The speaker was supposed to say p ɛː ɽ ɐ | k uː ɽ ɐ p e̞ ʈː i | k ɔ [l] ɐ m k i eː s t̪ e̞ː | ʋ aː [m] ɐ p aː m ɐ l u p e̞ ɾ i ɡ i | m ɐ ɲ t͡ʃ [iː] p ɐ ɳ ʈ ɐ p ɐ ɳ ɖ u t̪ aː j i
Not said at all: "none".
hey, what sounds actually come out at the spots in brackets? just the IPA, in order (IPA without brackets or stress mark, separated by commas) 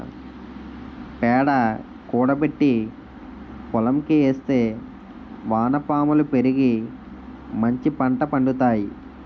l, n, i